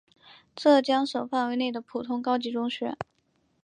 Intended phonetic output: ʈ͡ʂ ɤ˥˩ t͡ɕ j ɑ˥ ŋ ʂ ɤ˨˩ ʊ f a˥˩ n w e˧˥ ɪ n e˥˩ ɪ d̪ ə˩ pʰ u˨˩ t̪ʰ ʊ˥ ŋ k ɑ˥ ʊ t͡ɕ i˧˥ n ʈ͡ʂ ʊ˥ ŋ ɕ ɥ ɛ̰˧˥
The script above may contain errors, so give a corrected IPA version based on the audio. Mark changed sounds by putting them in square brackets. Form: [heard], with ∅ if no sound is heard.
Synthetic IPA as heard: ʈ͡ʂ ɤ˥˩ t͡ɕ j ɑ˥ ŋ ʂ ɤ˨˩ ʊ f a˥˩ n w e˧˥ ɪ n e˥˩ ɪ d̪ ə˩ pʰ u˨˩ t̪ʰ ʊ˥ ŋ k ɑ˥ ʊ t͡ɕ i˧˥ [∅] ʈ͡ʂ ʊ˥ ŋ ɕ ɥ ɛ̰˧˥